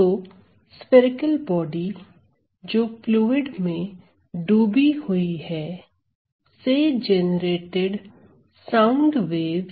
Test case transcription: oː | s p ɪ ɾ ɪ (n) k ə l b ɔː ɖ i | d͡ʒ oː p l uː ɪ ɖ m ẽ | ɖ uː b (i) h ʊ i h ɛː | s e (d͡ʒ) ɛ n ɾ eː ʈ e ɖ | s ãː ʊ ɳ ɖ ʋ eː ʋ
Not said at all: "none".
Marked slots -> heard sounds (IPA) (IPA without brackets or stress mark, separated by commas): none, i, d͡ʒ